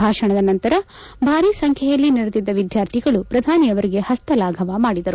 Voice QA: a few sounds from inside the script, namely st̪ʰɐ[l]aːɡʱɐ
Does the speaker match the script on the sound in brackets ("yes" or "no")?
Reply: yes